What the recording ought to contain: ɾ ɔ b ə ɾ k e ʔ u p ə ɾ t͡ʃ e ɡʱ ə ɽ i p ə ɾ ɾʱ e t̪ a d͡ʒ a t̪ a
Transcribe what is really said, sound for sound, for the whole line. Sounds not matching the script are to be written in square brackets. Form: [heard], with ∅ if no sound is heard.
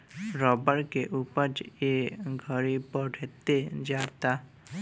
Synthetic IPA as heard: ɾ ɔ b ə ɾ k e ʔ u p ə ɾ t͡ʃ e ɡʱ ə [ɾ] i p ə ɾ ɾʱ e t̪ [e] d͡ʒ a t̪ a